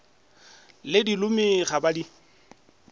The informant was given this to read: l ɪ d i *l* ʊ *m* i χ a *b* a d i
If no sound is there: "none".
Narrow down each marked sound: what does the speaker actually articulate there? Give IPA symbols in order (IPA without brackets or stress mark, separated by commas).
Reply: l, m, b